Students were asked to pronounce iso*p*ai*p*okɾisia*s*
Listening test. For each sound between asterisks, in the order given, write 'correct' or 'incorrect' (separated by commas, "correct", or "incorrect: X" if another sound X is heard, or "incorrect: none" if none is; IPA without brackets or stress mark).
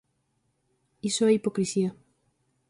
incorrect: none, correct, incorrect: none